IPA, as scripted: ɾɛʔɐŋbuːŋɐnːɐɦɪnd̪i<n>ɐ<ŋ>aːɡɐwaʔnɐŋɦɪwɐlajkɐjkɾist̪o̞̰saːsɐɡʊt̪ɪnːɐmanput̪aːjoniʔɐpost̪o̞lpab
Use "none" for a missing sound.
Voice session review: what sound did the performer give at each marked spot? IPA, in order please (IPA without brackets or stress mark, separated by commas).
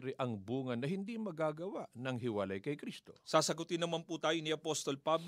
m, ɡ